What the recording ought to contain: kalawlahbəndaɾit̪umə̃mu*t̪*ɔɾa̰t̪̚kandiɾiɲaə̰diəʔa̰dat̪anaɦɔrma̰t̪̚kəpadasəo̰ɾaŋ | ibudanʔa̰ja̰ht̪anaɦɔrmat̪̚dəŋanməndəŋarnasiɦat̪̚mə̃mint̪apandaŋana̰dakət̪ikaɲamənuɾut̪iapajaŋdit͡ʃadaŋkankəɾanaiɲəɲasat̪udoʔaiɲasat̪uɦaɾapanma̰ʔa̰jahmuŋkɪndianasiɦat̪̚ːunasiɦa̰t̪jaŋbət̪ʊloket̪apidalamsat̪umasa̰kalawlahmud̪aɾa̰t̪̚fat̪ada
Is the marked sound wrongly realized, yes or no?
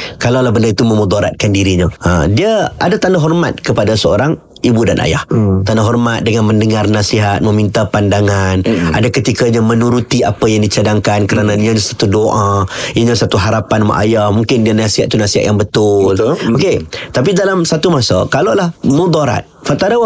yes